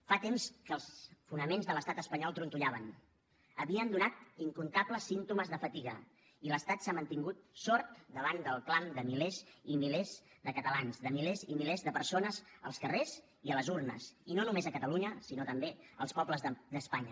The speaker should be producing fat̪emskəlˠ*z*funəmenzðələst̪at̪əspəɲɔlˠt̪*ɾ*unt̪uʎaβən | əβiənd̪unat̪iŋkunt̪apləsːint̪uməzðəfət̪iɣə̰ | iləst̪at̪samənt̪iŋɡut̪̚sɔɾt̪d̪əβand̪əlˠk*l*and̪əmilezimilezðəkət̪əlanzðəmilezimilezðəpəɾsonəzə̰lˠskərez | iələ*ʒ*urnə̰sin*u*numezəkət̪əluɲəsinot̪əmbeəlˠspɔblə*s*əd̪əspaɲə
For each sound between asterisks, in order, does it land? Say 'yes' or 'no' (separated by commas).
no, yes, yes, no, no, no